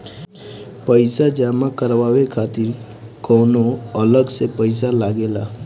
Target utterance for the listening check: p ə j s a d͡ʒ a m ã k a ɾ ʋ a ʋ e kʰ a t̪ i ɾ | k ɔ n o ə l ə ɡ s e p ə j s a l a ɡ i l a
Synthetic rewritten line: p ə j s a d͡ʒ a m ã k ə ɾ ʋ a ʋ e kʰ a t̪ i ɾ | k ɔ n o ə l ə ɡ s e p ə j s a l a ɡ e l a